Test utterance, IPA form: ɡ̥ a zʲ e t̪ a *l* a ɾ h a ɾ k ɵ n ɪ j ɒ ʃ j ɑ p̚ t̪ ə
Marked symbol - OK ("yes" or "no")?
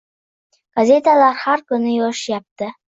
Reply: yes